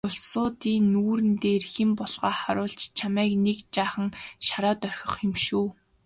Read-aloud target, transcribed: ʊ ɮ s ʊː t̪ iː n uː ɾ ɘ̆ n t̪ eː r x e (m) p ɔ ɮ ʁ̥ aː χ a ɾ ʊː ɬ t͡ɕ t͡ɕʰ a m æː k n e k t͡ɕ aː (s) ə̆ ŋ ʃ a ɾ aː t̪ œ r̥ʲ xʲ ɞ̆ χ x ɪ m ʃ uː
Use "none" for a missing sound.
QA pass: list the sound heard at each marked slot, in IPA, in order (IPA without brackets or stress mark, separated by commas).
m, χ